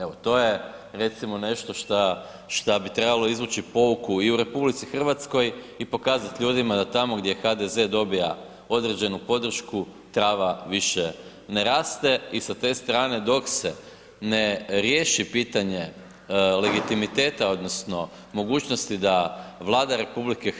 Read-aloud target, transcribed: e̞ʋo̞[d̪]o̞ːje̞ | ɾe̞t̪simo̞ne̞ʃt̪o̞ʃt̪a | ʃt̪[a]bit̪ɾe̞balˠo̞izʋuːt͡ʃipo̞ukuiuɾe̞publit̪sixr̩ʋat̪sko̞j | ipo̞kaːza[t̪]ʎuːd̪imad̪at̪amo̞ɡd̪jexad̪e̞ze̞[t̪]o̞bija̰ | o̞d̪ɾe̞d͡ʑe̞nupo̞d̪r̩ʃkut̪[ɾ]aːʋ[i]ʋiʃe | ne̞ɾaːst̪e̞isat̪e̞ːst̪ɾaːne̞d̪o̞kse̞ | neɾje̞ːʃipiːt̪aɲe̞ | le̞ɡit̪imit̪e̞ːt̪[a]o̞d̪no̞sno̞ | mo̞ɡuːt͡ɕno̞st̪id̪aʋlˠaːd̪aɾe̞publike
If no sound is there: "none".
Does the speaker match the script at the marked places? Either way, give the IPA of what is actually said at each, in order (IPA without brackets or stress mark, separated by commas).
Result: t̪, a, t̪, d̪, ɾ, a, a